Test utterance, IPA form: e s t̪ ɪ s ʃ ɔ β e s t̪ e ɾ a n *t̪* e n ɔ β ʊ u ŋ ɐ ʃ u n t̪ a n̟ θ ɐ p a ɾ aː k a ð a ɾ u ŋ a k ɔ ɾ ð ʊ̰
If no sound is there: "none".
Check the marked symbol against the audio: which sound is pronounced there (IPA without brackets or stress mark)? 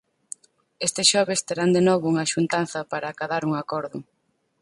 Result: d̪